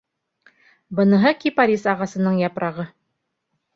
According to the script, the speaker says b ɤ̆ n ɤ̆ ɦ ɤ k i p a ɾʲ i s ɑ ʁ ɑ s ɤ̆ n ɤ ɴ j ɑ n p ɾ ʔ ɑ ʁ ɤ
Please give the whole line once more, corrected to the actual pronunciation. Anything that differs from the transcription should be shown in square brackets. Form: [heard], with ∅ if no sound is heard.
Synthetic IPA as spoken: b ɤ̆ n ɤ̆ ɦ ɤ k i p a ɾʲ i s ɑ ʁ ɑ s ɤ̆ n ɤ ɴ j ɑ [∅] p ɾ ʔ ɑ ʁ ɤ